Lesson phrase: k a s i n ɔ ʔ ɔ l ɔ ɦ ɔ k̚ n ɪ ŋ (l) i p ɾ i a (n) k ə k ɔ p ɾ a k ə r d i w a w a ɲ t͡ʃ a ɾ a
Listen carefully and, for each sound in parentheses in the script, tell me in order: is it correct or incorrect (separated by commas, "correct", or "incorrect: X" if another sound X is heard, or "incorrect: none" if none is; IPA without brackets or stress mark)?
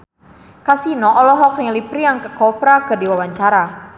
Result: correct, incorrect: ŋ